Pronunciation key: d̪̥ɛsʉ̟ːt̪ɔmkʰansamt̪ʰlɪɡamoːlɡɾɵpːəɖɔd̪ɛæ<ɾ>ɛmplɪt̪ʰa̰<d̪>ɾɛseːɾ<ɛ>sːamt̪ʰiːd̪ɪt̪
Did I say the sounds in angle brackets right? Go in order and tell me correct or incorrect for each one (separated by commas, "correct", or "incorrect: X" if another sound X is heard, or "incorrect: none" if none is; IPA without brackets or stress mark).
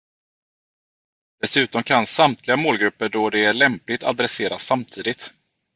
incorrect: ɭ, correct, incorrect: a